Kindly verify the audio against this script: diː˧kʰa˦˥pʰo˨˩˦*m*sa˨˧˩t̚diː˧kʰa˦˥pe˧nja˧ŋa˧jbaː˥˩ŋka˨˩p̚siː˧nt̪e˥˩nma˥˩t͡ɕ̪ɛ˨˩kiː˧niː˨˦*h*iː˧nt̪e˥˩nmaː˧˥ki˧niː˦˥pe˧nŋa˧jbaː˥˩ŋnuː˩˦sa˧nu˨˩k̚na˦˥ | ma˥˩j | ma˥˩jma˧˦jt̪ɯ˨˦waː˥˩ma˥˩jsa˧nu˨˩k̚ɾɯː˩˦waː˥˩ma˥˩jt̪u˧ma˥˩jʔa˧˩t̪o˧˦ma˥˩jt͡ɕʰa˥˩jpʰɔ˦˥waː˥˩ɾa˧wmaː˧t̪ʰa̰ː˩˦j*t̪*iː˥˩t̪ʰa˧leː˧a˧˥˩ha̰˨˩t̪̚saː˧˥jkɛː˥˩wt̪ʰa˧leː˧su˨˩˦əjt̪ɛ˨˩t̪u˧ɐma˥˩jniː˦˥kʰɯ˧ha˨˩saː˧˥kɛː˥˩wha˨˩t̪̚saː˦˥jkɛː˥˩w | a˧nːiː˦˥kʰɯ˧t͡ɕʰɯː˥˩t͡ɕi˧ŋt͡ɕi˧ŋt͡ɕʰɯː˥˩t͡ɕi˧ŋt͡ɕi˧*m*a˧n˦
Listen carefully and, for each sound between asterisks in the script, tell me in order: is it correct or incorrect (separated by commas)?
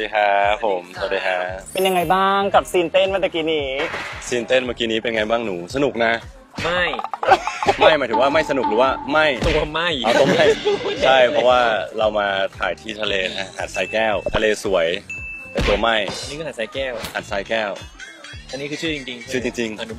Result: correct, incorrect, incorrect, incorrect